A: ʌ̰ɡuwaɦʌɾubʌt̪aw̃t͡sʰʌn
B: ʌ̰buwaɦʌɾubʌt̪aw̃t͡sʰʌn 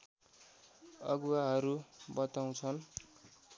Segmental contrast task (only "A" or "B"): A